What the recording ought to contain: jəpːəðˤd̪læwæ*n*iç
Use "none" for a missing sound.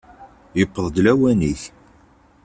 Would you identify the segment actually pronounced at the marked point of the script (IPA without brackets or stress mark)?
n